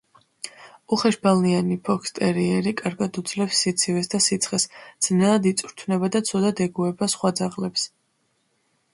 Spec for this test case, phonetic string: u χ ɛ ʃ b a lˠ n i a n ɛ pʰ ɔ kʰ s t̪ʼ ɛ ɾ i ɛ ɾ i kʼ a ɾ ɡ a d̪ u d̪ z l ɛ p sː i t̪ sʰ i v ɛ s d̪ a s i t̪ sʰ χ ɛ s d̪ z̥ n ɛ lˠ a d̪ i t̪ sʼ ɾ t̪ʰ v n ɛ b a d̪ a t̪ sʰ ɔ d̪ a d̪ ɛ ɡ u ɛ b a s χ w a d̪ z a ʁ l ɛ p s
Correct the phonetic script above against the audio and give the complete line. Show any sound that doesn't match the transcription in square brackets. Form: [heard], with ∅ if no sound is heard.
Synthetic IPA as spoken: u χ ɛ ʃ b a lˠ n i a n [i] pʰ ɔ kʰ s t̪ʼ ɛ ɾ i ɛ ɾ i kʼ a ɾ ɡ a d̪ u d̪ z l ɛ p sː i t̪ sʰ i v ɛ s d̪ a s i t̪ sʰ χ ɛ s d̪ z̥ n ɛ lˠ a d̪ i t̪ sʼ ɾ t̪ʰ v n ɛ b a d̪ a t̪ sʰ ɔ d̪ a d̪ ɛ ɡ u ɛ b a s χ w a d̪ z a ʁ l ɛ p s